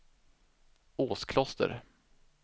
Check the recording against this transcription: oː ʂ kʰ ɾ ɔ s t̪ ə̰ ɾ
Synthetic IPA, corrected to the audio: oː s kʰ l ɔ s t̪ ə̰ ɾ